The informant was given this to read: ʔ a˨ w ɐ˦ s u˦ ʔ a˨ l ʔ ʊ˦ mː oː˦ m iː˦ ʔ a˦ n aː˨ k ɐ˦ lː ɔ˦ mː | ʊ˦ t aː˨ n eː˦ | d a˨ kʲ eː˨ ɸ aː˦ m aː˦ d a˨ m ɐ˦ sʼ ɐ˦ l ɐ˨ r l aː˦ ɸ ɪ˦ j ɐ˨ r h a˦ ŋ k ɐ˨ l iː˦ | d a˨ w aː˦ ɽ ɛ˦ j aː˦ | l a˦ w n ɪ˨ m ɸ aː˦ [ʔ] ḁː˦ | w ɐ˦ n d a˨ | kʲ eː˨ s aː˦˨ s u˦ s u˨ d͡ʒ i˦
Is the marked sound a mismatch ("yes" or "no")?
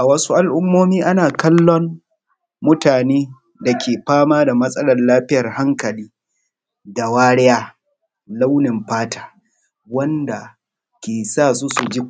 yes